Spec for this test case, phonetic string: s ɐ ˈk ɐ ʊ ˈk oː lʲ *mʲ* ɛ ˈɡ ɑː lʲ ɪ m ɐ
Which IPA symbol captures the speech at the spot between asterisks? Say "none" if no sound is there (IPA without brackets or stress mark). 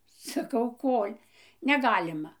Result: nʲ